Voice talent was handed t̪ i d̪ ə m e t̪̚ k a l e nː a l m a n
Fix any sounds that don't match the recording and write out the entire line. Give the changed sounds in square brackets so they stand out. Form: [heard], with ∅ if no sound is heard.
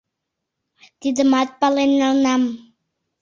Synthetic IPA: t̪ i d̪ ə m [a] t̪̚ [p] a l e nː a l [n] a [m]